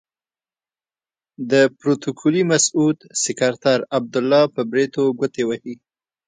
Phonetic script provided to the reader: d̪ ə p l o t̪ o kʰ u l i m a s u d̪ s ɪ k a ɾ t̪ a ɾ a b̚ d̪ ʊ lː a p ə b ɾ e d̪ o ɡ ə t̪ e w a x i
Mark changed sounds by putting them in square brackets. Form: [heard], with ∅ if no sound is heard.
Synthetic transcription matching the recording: d̪ ə p [ɾ] o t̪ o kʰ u l i m a s u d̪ s ɪ k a ɾ t̪ a ɾ a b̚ d̪ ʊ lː [ɑ] p ə b ɾ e [t̪] o ɡ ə t̪ e w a [h] i